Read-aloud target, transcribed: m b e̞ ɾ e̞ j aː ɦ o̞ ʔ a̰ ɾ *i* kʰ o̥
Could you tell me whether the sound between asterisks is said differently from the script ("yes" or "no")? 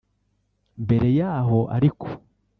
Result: no